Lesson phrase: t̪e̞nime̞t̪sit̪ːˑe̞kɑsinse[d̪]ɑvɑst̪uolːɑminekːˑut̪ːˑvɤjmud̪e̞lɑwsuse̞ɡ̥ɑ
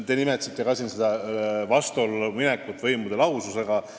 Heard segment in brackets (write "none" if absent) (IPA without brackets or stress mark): d̪